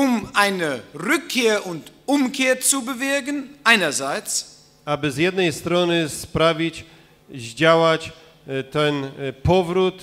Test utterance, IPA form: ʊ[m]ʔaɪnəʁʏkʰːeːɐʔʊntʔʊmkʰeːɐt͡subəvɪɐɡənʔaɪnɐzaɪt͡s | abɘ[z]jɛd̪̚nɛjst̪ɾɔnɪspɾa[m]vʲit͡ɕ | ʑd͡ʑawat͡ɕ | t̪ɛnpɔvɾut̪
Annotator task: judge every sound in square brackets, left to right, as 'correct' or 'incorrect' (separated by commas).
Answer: correct, correct, incorrect